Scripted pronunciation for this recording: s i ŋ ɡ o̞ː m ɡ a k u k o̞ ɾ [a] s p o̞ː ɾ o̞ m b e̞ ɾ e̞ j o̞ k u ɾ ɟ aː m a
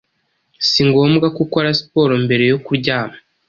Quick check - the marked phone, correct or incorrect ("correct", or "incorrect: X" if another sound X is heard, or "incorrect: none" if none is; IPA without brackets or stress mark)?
correct